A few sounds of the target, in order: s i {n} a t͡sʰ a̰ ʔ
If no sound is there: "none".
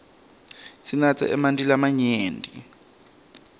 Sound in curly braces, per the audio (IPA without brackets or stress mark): n